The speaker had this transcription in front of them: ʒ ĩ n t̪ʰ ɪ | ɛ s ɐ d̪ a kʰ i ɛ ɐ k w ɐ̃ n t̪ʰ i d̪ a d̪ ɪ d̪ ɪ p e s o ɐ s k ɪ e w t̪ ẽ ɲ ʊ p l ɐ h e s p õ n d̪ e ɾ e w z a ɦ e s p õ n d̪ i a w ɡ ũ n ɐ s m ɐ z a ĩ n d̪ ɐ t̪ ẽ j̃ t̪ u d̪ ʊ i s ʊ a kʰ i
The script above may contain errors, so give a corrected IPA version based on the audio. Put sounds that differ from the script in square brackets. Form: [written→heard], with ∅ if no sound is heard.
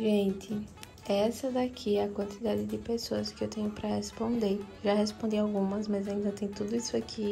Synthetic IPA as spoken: ʒ [ĩ→ẽ] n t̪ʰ ɪ | ɛ s ɐ d̪ a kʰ i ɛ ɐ k w ɐ̃ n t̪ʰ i d̪ a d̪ ɪ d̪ ɪ p e s o ɐ s k ɪ e w t̪ ẽ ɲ ʊ p [l→ɾ] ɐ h e s p õ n d̪ e ɾ e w [z→ʒ] a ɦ e s p õ n d̪ i a w ɡ ũ [n→m] ɐ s m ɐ z a ĩ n d̪ ɐ t̪ ẽ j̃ t̪ u d̪ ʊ i s ʊ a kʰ i